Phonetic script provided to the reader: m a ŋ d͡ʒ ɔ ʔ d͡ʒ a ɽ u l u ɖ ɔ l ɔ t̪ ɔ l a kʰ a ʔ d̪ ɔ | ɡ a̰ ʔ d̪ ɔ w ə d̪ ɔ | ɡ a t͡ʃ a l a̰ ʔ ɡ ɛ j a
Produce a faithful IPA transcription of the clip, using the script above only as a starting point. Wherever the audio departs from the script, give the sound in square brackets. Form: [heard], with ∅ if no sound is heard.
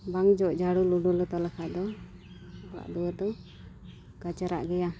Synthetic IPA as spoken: [b] a ŋ d͡ʒ ɔ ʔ d͡ʒ a ɽ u l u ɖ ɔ l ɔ t̪ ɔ l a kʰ a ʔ d̪ ɔ | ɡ a̰ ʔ d̪ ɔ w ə d̪ ɔ | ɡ a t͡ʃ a [ɾ] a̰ ʔ ɡ ɛ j a